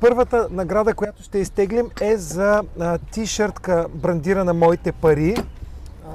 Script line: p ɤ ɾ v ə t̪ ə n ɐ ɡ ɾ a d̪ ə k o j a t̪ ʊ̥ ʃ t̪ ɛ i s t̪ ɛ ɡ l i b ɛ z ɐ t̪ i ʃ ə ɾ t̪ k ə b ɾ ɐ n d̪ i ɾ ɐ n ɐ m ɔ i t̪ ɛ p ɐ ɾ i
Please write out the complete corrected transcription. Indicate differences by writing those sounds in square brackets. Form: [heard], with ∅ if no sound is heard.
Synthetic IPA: p ɤ ɾ v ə t̪ ə n ɐ ɡ ɾ a d̪ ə k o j a t̪ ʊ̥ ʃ t̪ ɛ i s t̪ ɛ ɡ l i [m] ɛ z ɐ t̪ i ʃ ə ɾ t̪ k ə b ɾ ɐ n d̪ i ɾ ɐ n ɐ m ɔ i t̪ ɛ p ɐ ɾ i